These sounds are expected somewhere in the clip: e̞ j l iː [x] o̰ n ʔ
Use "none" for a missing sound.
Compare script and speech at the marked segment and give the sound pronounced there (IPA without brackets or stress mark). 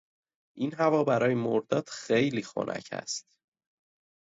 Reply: x